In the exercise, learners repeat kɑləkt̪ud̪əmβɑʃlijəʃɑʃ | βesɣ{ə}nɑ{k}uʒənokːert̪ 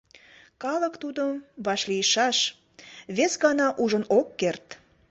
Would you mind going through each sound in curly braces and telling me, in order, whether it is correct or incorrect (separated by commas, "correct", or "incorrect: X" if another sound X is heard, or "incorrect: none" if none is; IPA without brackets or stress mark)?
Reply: incorrect: ɑ, incorrect: ʔ